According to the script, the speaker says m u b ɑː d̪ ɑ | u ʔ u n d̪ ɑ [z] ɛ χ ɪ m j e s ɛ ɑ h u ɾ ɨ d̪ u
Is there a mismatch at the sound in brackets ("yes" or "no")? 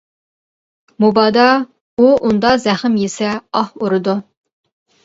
no